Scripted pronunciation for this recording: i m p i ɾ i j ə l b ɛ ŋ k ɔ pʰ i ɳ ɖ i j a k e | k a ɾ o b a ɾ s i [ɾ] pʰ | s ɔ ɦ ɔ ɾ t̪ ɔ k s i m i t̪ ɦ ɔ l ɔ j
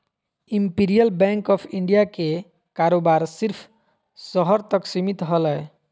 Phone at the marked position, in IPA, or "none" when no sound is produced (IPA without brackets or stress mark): ɾ